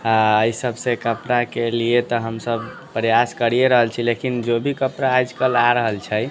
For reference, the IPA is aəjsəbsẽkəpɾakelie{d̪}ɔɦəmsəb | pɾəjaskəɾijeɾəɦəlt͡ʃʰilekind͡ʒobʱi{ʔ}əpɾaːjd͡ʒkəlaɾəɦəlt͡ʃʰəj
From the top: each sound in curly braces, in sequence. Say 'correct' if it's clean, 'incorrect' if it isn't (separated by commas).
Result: incorrect, incorrect